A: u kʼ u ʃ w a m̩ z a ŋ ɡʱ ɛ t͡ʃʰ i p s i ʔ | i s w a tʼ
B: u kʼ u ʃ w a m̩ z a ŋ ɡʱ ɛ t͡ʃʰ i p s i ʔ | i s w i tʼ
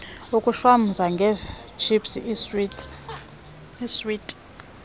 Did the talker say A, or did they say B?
B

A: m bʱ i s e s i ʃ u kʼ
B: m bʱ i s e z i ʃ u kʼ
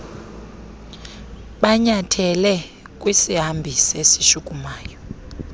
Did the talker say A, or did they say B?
A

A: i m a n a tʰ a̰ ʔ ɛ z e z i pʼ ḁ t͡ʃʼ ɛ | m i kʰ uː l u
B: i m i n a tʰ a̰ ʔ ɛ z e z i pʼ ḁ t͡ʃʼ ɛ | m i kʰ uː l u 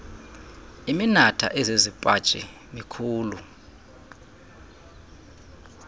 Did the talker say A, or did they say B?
B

